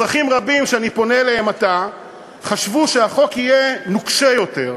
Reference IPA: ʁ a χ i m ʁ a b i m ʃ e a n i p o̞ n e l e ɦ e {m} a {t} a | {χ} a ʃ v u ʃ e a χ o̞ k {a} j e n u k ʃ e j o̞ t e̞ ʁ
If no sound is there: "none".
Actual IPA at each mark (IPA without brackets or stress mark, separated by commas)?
m, t, χ, i